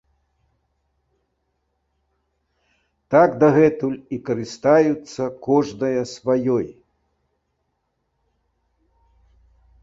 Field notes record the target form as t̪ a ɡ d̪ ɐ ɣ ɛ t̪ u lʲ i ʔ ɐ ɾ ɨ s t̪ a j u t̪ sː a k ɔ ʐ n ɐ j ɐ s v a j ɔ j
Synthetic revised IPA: t̪ a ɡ d̪ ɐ ɣ ɛ t̪ u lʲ i k ɐ ɾ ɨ s t̪ a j u t̪ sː ɐ k ɔ ʐ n ɐ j ɐ s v a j ɔ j